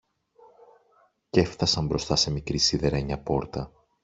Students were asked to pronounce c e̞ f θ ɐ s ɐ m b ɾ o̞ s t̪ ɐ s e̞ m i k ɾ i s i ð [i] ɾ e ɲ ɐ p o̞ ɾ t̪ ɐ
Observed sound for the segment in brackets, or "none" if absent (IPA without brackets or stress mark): e